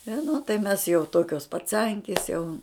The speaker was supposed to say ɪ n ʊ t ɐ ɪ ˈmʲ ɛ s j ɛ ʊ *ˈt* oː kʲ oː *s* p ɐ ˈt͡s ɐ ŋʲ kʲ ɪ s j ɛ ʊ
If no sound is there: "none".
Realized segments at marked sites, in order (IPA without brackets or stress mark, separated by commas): t, s